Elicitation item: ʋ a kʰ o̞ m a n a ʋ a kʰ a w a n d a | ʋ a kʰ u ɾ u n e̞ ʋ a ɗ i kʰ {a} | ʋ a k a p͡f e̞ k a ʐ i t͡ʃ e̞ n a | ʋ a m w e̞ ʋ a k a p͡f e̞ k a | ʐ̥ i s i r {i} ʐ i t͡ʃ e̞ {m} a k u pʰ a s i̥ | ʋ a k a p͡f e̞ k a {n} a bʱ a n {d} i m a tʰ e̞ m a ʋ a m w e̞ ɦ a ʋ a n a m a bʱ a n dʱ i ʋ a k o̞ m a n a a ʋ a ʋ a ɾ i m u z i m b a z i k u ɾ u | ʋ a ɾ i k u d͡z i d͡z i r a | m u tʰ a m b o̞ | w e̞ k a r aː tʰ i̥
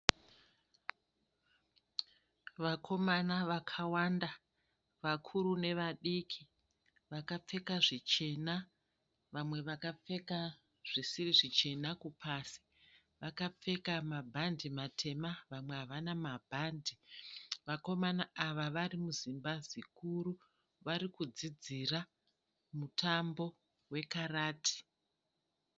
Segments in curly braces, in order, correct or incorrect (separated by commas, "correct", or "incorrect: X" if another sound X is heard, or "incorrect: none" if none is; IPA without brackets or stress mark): incorrect: i, correct, incorrect: n, incorrect: m, correct